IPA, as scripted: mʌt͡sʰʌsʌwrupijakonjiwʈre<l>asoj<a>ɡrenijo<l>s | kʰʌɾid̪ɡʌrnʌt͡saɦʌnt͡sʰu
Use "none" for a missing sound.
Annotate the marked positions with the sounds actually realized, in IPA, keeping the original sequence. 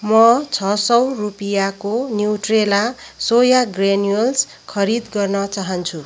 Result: l, a, l

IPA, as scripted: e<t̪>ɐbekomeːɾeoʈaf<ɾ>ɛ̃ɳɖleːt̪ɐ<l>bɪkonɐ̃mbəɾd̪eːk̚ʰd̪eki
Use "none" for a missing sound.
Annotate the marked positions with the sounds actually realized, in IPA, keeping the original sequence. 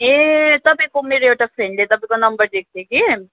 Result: t̪, ɾ, none

